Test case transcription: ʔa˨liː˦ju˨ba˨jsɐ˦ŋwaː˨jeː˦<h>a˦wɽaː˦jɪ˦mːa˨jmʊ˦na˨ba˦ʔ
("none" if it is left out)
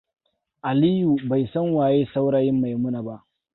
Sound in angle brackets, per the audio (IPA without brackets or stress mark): s